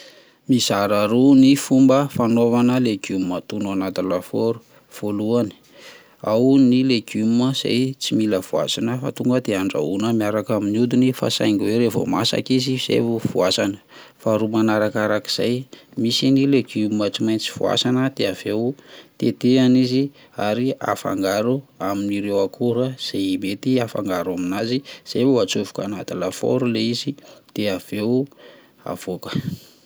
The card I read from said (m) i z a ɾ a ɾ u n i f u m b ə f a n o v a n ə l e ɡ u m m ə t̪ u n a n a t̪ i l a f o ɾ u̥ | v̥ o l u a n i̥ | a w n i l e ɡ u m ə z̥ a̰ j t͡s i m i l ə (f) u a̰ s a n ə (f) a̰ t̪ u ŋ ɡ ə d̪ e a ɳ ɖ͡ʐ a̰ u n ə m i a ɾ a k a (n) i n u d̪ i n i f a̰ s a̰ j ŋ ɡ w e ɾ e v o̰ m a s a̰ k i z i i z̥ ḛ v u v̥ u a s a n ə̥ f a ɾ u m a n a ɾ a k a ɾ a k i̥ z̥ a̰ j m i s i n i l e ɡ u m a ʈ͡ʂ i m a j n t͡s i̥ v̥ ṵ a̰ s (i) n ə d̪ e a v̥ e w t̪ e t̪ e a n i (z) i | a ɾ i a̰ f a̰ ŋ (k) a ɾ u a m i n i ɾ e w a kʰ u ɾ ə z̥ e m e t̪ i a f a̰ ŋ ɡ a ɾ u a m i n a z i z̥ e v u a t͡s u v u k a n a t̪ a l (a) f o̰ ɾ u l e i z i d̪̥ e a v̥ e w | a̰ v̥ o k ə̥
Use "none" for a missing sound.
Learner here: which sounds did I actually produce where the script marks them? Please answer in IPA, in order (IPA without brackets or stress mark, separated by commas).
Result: m, v, f, m, a, z, ɡ, a